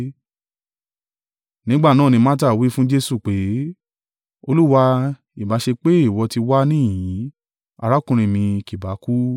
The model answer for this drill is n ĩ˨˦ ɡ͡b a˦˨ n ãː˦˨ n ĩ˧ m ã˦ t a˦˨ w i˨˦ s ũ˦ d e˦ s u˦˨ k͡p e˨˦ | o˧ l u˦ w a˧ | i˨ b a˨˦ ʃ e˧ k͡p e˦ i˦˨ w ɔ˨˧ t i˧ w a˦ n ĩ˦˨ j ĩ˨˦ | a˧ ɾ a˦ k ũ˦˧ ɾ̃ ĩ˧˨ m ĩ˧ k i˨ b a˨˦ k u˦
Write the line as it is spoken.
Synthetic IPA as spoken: n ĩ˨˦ ɡ͡b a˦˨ n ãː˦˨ n ĩ˧ m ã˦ t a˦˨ w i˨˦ f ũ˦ d͡ʒ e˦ s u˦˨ k͡p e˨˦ | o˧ l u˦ w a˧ | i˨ b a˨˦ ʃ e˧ k͡p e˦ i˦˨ w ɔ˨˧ t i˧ w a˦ n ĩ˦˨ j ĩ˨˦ | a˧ ɾ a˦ k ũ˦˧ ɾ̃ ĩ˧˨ m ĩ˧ k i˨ b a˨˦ k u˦